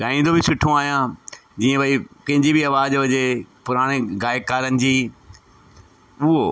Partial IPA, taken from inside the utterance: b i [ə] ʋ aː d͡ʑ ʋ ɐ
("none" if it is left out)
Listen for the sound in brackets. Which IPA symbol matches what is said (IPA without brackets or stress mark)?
ɐ